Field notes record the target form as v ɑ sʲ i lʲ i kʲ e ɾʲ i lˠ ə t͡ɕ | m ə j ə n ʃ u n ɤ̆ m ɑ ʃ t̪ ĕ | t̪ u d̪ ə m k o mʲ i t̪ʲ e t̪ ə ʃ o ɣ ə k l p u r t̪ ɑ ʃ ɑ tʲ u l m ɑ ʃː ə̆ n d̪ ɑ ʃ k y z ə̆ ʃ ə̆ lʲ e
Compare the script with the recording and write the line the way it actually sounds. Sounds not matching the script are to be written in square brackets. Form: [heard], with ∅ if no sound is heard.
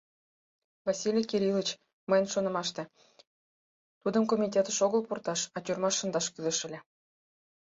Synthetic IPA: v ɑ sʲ i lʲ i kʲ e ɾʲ i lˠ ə t͡ɕ | m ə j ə n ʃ [o] n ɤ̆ m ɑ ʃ t̪ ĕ | t̪ u d̪ ə m k o mʲ i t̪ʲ e t̪ ə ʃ o ɣ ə [∅] l p u r t̪ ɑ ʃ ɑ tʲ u [r] m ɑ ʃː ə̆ n d̪ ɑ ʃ k y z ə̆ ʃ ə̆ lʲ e